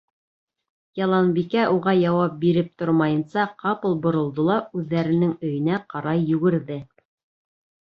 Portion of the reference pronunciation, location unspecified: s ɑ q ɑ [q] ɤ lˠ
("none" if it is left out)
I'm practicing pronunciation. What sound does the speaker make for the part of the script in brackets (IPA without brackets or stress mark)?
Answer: p